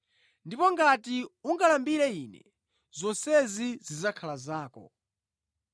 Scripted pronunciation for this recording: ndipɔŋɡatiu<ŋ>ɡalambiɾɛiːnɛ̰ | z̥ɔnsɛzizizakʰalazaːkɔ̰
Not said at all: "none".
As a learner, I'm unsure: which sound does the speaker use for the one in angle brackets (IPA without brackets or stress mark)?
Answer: ŋ